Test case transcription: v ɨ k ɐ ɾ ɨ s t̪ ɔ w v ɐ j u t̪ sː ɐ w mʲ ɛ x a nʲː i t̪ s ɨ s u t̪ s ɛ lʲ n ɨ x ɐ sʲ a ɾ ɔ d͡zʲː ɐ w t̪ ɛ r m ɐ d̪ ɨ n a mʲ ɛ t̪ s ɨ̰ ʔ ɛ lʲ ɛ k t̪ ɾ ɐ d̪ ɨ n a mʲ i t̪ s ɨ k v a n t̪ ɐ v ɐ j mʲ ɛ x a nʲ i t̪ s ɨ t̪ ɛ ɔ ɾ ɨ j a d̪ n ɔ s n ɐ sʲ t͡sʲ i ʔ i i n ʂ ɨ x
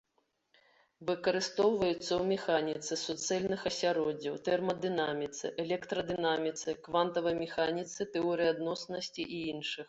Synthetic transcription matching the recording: v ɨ k ɐ ɾ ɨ s t̪ ɔ w v ɐ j u t̪ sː ɐ w mʲ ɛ x a nʲ i t̪ s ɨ s u t̪ s ɛ lʲ n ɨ x ɐ sʲ a ɾ ɔ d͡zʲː ɐ w t̪ ɛ r m ɐ d̪ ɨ n a mʲ i t̪ s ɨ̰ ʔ ɛ lʲ ɛ k t̪ ɾ ɐ d̪ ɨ n a mʲ i t̪ s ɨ k v a n t̪ ɐ v ɐ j mʲ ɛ x a nʲ i t̪ s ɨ t̪ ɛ ɔ ɾ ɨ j a d̪ n ɔ s n ɐ sʲ t͡sʲ i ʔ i i n ʂ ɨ x

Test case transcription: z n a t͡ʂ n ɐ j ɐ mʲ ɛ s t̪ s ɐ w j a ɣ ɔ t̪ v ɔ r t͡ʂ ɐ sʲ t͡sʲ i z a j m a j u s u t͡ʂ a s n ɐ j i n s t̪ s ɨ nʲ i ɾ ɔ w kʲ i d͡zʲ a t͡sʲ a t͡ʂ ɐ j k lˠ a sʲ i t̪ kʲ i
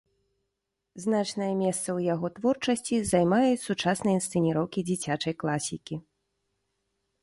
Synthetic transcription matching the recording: z n a t͡ʂ n ɐ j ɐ mʲ ɛ s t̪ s ɐ w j a ɣ ɔ t̪ v ɔ r t͡ʂ ɐ sʲ t͡sʲ i z a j m a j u s u t͡ʂ a s n ɐ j i n s t̪ s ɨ nʲ i ɾ ɔ w kʲ i d͡zʲ i t͡sʲ a t͡ʂ ɐ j k lˠ a sʲ i kʲ i

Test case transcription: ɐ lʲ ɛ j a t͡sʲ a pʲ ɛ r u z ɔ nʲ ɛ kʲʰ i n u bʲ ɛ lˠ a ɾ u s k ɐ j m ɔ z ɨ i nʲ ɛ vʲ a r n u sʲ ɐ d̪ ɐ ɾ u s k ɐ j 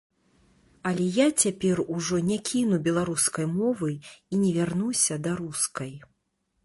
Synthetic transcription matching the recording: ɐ lʲ ɛ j a t͡sʲ a pʲ ɛ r u ʐ ɔ nʲ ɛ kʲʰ i n u bʲ ɛ lˠ a ɾ u s k ɐ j m ɔ v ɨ i nʲ ɛ vʲ a r n u sʲ ɐ d̪ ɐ ɾ u s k ɐ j

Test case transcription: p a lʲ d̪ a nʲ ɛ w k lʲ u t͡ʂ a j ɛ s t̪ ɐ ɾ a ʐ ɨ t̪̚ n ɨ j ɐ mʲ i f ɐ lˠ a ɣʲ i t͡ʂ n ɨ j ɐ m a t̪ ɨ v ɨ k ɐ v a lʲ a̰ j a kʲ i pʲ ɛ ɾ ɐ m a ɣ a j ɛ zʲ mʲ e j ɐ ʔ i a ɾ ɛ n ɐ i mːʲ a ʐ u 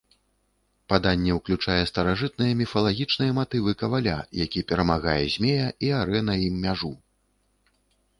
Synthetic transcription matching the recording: p a d̪ a nʲː ɛ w k lʲ u t͡ʂ a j ɛ s t̪ ɐ ɾ a ʐ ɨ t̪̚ n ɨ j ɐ mʲ i f ɐ lˠ a ɣʲ i t͡ʂ n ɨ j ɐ m a t̪ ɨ v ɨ k ɐ v a lʲ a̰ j a kʲ i pʲ ɛ ɾ ɐ m a ɣ a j ɛ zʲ mʲ e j ɐ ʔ i a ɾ ɛ n ɐ i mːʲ a ʐ u

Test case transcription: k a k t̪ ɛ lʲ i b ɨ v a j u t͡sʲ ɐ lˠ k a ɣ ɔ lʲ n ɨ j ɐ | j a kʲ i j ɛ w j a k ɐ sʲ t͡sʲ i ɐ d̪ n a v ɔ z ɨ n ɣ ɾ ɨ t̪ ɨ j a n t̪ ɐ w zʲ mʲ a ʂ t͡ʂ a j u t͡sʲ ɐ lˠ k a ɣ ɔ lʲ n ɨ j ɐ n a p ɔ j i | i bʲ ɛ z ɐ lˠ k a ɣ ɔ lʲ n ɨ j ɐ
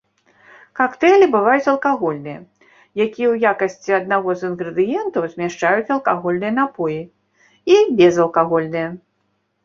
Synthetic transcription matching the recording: k a k t̪ ɛ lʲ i b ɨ v a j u t͡sʲ ɐ lˠ k a ɣ ɔ lʲ n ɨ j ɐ | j a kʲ i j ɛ w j a k ɐ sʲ t͡sʲ i ɐ d̪ n a ɣ ɔ z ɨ n ɣ ɾ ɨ d̪ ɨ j ɛ n t̪ ɐ w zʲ mʲ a ʂ t͡ʂ a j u t͡sʲ ɐ lˠ k a ɣ ɔ lʲ n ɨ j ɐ n a p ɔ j i | i bʲ ɛ z ɐ lˠ k a ɣ ɔ lʲ n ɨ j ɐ

